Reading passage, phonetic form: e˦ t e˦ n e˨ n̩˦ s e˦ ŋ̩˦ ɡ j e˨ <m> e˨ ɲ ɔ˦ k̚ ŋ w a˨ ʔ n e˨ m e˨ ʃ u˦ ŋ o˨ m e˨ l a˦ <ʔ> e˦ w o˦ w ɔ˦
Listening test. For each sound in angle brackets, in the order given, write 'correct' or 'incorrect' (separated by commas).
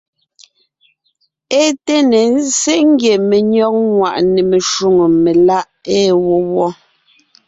correct, correct